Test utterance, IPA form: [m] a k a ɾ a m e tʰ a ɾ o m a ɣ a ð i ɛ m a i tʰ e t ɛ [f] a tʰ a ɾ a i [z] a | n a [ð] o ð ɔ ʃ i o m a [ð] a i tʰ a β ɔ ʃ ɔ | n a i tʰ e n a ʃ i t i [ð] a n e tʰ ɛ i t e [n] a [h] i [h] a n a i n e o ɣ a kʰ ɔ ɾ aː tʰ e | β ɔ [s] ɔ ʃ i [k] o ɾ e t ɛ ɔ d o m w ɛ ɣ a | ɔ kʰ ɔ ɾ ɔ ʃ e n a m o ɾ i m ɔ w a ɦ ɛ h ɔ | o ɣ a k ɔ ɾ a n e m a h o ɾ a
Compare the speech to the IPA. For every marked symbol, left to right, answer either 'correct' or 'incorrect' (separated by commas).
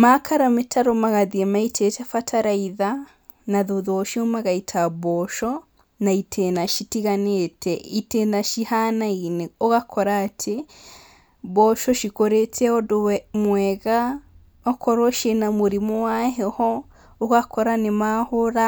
correct, correct, incorrect, correct, incorrect, incorrect, correct, incorrect, correct, incorrect, correct